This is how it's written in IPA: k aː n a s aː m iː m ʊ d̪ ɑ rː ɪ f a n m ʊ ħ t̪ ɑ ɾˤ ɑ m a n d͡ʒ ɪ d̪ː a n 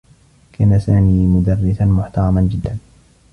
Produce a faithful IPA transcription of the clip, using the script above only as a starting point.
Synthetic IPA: k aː n a s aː m iː m ʊ d̪ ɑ rː ɪ s a n m ʊ ħ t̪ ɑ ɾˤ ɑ m a n d͡ʒ ɪ d̪ː a n